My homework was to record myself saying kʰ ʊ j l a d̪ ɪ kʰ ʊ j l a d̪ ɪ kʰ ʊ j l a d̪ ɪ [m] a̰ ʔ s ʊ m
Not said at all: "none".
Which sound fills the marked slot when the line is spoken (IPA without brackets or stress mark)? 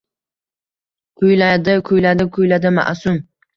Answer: m